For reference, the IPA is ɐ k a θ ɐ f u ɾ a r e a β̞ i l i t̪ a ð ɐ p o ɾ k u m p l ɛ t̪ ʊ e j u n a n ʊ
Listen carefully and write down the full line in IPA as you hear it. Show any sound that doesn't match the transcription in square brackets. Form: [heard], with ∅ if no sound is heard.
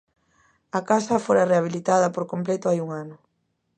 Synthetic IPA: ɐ k a [s] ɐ f [o] ɾ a r e a β̞ i l i t̪ a ð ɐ p o ɾ k [o] m p l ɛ t̪ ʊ [a] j u [ŋ] a n ʊ